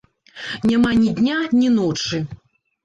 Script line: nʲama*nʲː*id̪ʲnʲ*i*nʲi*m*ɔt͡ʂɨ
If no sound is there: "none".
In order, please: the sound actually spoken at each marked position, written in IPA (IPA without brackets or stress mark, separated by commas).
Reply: nʲ, a, n